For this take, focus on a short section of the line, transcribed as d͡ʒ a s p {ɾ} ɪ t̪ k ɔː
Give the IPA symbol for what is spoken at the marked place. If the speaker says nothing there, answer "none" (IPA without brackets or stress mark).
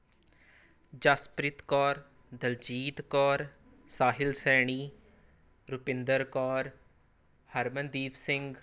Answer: ɾ